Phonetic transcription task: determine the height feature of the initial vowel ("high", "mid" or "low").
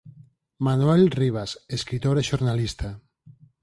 low